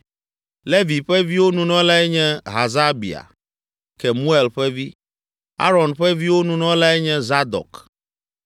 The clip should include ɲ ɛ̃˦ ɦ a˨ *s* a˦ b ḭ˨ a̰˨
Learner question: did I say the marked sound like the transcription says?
no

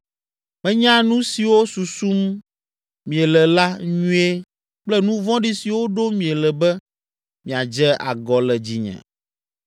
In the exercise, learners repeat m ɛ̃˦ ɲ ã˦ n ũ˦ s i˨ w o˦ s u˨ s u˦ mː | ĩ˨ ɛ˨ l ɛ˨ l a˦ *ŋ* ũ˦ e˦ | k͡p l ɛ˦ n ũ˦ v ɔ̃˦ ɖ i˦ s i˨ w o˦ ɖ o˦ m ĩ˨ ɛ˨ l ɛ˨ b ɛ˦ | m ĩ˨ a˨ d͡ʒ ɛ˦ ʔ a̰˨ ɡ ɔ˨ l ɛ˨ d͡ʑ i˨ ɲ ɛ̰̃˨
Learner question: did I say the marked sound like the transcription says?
no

